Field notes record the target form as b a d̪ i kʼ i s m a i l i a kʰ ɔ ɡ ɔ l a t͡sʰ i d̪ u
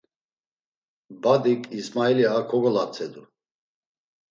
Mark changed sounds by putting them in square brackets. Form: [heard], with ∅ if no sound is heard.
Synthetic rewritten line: b a d̪ i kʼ i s m a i l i a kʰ ɔ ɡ ɔ l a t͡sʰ [ɛ] d̪ u